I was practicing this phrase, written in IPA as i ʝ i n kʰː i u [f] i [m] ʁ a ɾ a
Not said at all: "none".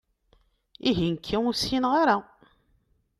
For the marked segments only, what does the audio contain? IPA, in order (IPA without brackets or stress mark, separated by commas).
s, n